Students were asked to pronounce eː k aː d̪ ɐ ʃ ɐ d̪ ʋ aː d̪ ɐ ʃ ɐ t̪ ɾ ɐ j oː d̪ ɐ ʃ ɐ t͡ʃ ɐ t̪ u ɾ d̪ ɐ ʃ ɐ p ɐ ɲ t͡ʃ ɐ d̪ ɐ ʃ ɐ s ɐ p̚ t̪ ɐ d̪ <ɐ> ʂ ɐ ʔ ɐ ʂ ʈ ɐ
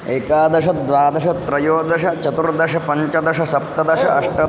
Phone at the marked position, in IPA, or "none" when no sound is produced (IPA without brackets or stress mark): ɐ